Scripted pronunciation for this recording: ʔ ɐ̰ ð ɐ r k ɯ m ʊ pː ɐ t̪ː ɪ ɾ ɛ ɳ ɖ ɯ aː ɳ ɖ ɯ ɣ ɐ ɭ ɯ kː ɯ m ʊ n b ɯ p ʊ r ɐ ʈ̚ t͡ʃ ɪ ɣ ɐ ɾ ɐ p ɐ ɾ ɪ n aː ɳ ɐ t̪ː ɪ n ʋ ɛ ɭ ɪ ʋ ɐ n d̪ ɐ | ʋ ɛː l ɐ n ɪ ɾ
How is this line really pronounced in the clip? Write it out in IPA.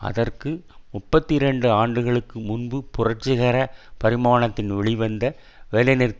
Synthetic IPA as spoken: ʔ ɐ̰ ð ɐ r k ɯ m ʊ pː ɐ t̪ː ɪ ɾ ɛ ɳ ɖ ɯ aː ɳ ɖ ɯ ɣ ɐ ɭ ɯ kː ɯ m ʊ n b ɯ p ʊ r ɐ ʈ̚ t͡ʃ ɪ ɣ ɐ ɾ ɐ p ɐ ɾ ɪ m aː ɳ ɐ t̪ː ɪ n ʋ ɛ ɭ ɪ ʋ ɐ n d̪ ɐ | ʋ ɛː l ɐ n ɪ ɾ